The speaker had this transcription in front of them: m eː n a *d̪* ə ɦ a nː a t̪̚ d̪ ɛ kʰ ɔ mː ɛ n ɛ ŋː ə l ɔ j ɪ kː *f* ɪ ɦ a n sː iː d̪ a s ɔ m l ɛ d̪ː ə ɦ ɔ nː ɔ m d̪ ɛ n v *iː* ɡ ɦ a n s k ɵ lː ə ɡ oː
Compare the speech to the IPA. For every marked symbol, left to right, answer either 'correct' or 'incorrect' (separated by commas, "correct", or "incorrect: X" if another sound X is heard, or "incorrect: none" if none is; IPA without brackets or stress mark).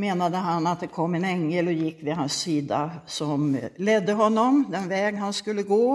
correct, incorrect: v, incorrect: ɛː